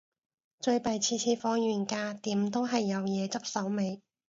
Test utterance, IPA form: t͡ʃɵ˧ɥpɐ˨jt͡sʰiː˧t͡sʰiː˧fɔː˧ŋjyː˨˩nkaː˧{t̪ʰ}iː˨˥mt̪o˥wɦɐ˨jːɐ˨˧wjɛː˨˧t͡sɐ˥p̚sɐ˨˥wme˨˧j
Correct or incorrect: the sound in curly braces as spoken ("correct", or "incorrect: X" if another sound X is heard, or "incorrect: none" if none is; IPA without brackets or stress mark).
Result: incorrect: t̪